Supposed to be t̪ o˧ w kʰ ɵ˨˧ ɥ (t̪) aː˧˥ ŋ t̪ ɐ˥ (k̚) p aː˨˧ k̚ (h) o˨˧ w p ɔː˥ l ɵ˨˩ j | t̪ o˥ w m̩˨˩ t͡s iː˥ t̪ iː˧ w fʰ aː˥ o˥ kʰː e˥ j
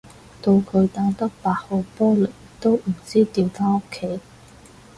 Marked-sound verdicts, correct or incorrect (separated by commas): correct, correct, correct